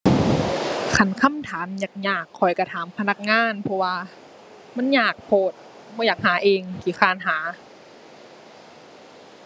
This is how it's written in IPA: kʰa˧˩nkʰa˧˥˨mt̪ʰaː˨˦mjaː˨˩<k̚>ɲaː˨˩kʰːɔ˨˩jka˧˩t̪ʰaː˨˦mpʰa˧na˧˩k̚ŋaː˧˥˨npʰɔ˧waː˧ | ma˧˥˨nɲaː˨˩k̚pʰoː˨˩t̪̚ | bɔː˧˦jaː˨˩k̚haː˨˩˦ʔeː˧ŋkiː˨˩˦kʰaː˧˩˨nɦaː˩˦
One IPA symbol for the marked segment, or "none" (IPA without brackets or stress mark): k̚